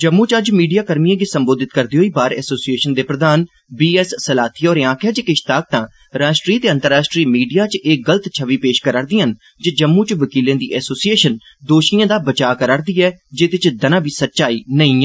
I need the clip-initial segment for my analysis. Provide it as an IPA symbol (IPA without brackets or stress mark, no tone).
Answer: d͡ʒ